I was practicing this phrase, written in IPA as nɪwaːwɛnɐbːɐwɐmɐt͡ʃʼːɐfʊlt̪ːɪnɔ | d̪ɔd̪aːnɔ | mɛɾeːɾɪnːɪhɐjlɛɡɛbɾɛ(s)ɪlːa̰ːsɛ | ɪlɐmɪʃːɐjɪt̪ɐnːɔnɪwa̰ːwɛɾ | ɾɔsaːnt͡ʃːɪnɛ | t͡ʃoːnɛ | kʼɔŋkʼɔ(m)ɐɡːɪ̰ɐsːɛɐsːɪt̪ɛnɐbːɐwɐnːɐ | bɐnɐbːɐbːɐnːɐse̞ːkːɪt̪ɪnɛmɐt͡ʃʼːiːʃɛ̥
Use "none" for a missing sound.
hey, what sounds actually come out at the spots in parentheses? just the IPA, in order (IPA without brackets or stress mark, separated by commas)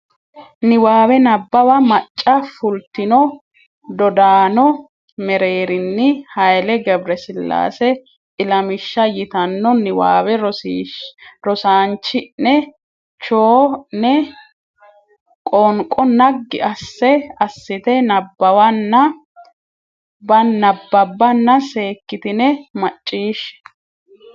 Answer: s, n